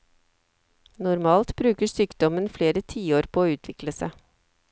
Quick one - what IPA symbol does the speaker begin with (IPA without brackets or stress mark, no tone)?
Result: n